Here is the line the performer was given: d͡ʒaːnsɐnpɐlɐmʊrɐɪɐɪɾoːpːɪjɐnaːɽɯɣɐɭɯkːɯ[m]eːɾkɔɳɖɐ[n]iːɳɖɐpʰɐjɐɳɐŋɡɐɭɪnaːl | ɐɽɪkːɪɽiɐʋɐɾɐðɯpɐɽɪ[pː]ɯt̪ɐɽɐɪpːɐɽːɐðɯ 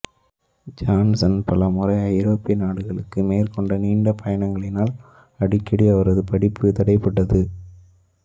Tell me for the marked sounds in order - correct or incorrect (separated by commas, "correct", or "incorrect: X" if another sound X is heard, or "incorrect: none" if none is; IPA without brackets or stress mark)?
correct, correct, correct